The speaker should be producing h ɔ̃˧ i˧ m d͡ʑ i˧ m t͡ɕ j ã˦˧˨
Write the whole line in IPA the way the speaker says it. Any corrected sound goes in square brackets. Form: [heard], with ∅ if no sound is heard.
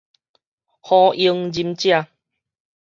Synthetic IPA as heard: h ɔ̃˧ i˧ [ŋ] d͡ʑ i˧ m t͡ɕ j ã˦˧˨

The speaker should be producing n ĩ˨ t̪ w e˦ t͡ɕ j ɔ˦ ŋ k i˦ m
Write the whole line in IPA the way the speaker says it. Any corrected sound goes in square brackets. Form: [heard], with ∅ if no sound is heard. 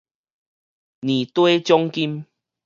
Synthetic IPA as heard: n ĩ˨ t̪ w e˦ t͡ɕ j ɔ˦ ŋ k i˦ m

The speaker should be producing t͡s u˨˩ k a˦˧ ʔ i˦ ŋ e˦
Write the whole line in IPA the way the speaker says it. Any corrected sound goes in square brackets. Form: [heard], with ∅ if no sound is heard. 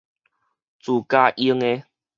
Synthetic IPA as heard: t͡s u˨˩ k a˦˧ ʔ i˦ ŋ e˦

